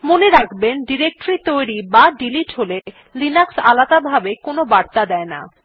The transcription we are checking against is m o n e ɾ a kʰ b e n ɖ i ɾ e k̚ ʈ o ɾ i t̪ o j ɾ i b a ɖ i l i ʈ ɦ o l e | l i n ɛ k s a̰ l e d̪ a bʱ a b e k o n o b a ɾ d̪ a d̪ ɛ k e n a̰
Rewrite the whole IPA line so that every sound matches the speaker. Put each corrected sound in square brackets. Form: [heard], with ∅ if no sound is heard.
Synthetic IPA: m o n e ɾ a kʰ b e n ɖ i ɾ e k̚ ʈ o ɾ i t̪ o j ɾ i b a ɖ i l i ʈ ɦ o l e | l i n [a] k s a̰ l [a] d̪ a bʱ a b e k o n o b a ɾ [t̪] a d̪ ɛ [∅] e n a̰